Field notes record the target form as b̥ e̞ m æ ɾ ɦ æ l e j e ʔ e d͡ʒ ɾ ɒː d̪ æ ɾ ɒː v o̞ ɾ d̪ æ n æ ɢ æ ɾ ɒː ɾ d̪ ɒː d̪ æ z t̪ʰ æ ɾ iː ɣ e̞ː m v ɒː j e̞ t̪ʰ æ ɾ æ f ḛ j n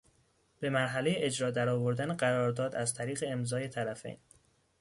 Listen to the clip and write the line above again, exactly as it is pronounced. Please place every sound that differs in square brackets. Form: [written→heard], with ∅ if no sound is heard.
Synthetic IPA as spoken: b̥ e̞ m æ ɾ ɦ æ l e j e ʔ e d͡ʒ ɾ ɒː d̪ æ ɾ ɒː v o̞ ɾ d̪ æ n [æ→e] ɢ æ ɾ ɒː ɾ d̪ ɒː d̪ æ z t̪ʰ æ ɾ iː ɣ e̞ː m [v→z] ɒː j e̞ t̪ʰ æ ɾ æ f ḛ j n